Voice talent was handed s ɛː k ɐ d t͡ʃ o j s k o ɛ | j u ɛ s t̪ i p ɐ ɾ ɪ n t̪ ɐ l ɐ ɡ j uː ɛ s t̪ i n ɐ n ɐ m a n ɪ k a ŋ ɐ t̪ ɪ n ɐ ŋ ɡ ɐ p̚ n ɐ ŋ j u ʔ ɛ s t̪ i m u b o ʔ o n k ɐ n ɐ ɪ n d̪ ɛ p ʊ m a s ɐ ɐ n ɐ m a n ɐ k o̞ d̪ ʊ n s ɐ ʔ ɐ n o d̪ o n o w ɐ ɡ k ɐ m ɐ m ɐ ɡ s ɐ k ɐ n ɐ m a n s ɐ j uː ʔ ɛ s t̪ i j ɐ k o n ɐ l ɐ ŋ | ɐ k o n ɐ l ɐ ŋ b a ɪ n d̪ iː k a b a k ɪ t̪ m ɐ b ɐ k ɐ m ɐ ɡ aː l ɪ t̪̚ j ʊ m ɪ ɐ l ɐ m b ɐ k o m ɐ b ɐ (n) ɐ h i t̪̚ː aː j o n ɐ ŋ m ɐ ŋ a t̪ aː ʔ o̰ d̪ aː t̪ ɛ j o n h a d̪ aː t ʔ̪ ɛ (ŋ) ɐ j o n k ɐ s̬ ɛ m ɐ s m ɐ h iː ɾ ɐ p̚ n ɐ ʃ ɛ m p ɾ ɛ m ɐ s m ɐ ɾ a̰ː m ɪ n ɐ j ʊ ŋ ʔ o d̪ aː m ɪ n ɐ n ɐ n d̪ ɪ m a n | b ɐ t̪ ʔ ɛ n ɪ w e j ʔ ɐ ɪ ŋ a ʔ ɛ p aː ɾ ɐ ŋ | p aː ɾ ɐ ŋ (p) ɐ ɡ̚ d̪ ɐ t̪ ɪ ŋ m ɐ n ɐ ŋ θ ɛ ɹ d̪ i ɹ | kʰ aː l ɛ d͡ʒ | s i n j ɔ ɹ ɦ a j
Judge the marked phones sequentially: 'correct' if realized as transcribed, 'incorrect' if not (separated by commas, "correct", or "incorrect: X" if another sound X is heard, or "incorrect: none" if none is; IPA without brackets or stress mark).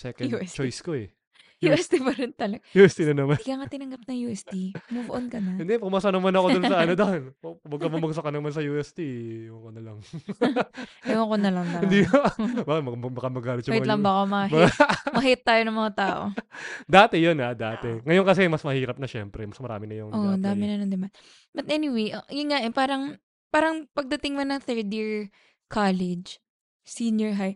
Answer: incorrect: m, correct, correct